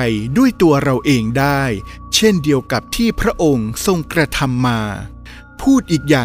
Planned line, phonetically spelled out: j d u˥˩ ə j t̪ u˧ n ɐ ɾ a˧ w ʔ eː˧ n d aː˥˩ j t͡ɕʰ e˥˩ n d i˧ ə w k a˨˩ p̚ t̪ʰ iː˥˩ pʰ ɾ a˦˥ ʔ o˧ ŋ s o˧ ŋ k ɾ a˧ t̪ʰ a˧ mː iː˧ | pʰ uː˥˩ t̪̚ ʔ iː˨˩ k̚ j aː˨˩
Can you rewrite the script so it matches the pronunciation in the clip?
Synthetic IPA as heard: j d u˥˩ ə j t̪ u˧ ɐ ɾ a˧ w ʔ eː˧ ŋ d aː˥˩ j t͡ɕʰ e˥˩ n d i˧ ə w k a˨˩ p̚ t̪ʰ iː˥˩ pʰ ɾ a˦˥ ʔ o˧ ŋ s o˧ ŋ k ɾ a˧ t̪ʰ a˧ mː aː˧ | pʰ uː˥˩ t̪̚ ʔ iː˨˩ k̚ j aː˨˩